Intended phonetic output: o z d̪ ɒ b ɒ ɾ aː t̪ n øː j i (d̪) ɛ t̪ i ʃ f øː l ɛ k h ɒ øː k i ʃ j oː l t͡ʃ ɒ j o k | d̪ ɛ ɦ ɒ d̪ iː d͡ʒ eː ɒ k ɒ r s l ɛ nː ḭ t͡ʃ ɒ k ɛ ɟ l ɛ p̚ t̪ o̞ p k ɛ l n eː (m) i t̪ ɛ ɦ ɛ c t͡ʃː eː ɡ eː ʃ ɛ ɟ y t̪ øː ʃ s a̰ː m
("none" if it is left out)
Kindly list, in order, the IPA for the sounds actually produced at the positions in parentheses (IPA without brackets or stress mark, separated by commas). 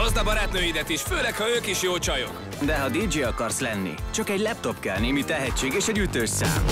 d̪, m